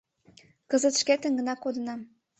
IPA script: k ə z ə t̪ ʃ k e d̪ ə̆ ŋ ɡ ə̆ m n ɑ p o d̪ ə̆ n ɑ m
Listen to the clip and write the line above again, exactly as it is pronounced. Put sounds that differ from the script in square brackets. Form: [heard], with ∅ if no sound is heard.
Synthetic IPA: k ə z ə t̪ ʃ k e [t̪] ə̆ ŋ ɡ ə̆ [∅] n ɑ [k] o d̪ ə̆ n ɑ m

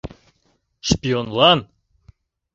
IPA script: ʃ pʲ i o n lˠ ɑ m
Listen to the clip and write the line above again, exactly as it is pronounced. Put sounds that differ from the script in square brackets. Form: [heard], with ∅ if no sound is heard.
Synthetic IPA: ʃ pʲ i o n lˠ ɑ [n]

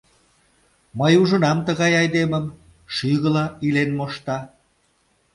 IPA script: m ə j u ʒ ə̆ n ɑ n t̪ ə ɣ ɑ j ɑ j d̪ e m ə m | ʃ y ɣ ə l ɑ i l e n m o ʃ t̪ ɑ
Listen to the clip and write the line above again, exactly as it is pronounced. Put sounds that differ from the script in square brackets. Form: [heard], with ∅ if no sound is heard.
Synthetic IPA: m ə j u ʒ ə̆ n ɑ [m] t̪ ə ɣ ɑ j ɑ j d̪ e m ə m | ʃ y ɣ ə l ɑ i l e n m o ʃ t̪ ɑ

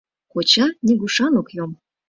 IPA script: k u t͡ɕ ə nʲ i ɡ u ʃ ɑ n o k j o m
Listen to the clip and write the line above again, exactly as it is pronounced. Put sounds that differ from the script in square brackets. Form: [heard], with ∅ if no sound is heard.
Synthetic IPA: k [o] t͡ɕ [ɑ] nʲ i ɡ u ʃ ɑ n o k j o m

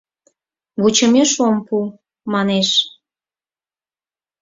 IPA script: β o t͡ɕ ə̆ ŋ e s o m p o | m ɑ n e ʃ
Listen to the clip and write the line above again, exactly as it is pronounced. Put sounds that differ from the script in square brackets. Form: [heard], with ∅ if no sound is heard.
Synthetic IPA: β [u] t͡ɕ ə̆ [m] e [ʃ] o m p [u] | m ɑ n e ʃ

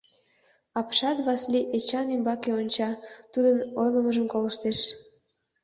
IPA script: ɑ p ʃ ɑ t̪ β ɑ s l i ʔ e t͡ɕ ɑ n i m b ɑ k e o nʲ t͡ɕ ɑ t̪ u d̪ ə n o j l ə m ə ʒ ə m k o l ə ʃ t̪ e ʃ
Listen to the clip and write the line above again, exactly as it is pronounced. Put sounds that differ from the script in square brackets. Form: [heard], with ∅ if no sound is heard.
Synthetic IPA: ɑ p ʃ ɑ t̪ β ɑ s l i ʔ e t͡ɕ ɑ n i m b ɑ k e o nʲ t͡ɕ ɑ t̪ u d̪ ə n o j l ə m ə ʒ ə m k o l ə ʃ t̪ e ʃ

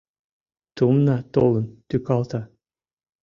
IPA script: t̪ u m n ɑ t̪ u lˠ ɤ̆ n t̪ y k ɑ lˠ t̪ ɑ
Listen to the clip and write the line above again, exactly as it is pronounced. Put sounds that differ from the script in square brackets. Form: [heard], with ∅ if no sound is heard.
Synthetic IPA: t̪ u m n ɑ t̪ [o] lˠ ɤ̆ n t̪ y k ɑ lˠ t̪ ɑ

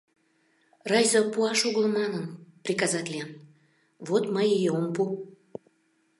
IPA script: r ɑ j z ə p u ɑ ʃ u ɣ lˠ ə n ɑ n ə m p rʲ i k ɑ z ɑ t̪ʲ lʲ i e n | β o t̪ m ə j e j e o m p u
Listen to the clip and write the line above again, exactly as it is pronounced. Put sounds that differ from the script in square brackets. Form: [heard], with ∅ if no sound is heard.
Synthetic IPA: r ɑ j z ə p u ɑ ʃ u ɣ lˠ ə [m] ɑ n ə [n] p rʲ i k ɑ z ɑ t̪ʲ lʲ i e n | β o t̪ m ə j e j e o m p u

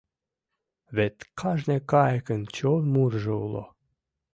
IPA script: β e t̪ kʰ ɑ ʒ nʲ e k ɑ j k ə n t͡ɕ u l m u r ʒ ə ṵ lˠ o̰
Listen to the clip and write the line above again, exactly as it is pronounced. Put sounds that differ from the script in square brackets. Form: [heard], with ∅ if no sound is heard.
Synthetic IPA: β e t̪ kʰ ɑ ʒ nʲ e k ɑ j k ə n t͡ɕ [o] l m u r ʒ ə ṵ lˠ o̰

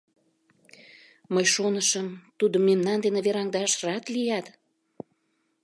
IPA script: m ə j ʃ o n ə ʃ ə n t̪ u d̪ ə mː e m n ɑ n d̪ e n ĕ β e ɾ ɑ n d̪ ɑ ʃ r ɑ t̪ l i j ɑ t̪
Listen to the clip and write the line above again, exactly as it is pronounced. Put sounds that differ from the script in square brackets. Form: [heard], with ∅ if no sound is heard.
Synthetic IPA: m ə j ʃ o n ə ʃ ə [m] t̪ u d̪ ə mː e m n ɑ n d̪ e n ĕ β e ɾ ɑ [ŋ] d̪ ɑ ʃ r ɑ t̪ l i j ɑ t̪

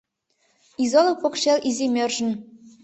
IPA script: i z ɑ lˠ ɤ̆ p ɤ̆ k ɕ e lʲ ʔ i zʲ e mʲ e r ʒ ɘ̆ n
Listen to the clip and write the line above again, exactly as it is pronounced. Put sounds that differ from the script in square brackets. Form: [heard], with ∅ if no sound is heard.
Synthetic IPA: i z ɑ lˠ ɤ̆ p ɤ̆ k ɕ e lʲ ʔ i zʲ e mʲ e r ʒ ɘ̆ n

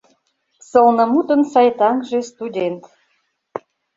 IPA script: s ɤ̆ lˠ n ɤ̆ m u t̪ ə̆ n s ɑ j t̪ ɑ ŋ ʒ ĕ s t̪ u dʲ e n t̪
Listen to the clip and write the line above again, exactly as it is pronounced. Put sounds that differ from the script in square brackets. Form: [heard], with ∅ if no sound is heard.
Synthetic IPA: s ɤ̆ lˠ n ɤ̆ m u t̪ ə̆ n s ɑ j t̪ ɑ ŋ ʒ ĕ s t̪ u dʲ e n t̪

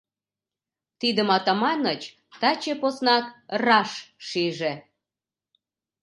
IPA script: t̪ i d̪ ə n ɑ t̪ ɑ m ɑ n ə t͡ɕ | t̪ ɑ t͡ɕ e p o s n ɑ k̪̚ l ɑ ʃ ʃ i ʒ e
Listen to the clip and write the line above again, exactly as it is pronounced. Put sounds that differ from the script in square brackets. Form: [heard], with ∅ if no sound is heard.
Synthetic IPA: t̪ i d̪ ə [m] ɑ t̪ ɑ m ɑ n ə t͡ɕ | t̪ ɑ t͡ɕ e p o s n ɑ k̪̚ [r] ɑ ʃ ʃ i ʒ e

